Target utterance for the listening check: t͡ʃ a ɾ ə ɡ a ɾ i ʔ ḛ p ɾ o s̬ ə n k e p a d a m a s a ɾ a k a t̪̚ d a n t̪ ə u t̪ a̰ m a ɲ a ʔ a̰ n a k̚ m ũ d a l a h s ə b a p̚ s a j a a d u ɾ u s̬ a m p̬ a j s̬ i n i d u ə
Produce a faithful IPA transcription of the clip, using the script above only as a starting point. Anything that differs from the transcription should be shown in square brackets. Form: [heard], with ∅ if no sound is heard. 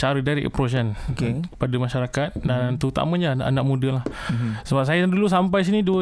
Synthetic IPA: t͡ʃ a ɾ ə [d] a ɾ i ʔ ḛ p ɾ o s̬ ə n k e p a d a m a [ʃ] a ɾ a k a t̪̚ d a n t̪ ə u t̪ a̰ m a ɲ a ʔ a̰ n a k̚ m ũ d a l a h s ə b a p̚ s a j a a d u [l] u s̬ a m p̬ a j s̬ i n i d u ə